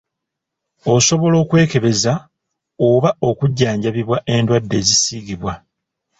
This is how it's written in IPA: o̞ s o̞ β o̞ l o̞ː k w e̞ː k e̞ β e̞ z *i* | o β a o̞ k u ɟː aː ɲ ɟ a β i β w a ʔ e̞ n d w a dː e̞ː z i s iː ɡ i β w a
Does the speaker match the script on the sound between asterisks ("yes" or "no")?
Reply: no